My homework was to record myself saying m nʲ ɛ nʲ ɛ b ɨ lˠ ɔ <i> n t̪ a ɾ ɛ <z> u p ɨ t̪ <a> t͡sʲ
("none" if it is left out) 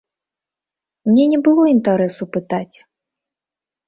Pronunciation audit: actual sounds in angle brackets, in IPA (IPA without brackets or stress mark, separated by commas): i, s, a